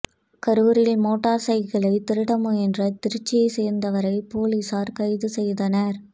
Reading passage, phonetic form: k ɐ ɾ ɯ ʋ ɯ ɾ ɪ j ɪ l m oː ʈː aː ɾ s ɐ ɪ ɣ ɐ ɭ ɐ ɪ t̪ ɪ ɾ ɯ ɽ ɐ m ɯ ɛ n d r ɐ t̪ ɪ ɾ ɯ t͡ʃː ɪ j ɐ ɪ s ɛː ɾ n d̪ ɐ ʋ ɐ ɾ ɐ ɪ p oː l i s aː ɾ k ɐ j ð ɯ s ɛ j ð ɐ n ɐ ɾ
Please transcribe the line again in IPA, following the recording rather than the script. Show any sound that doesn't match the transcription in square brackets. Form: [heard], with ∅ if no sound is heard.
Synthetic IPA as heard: k ɐ ɾ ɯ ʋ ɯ ɾ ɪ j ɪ l m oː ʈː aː ɾ s ɐ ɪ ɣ ɐ ɭ ɐ ɪ t̪ ɪ ɾ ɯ ɽ ɐ m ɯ ɛ n d r ɐ t̪ ɪ ɾ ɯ t͡ʃː ɪ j ɐ ɪ s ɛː ɾ n d̪ ɐ ʋ ɐ ɾ ɐ ɪ p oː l i s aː ɾ k ɐ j ð ɯ s ɛ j ð ɐ n ɐ ɾ